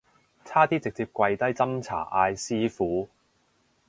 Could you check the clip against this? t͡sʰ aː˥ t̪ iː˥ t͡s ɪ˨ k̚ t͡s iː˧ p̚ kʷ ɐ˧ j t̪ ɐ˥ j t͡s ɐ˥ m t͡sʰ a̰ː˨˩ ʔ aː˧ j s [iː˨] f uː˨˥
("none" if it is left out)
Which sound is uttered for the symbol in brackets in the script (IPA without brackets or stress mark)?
iː˥